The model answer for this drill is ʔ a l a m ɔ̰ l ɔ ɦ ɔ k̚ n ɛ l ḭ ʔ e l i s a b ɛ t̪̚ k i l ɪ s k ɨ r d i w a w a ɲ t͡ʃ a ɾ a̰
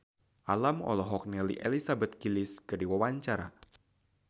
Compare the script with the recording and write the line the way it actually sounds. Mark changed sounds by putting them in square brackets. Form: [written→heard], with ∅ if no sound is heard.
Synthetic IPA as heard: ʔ a l a m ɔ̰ l ɔ ɦ ɔ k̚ n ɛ l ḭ ʔ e l i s a b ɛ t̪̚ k i l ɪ s k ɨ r d i w a w a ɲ t͡ʃ a ɾ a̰